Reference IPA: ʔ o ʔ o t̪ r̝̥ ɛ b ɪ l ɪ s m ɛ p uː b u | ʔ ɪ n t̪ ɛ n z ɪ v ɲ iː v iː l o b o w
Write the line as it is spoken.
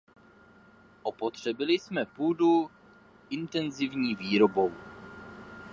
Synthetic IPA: ʔ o p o t̪ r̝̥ ɛ b ɪ l ɪ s m ɛ p uː d u | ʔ ɪ n t̪ ɛ n z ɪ v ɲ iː v iː ɾ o b o w